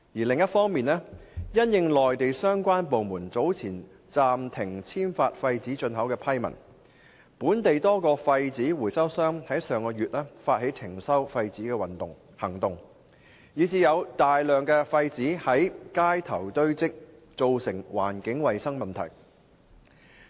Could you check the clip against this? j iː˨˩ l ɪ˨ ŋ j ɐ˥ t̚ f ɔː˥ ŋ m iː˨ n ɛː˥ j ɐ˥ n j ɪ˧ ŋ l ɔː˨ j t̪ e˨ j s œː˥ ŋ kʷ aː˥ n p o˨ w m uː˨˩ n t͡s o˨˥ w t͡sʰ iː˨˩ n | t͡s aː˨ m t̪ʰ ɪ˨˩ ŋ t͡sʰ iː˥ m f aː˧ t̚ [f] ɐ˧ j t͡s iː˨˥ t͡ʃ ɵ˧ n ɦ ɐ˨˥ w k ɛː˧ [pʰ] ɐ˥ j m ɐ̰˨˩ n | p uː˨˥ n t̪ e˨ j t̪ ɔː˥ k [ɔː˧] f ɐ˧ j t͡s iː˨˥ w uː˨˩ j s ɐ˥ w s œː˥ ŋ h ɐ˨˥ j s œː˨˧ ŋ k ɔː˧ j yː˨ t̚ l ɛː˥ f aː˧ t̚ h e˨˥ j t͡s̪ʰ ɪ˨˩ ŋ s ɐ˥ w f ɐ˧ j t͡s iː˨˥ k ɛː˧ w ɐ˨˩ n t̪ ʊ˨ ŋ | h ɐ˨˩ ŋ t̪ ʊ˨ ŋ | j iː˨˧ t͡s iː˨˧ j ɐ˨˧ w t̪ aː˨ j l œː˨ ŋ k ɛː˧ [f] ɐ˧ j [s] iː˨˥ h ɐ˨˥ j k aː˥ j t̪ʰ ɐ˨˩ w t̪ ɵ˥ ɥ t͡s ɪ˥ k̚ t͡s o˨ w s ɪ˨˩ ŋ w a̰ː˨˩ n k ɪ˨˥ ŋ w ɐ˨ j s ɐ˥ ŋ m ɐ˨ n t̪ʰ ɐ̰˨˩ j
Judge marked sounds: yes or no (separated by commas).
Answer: yes, yes, yes, yes, no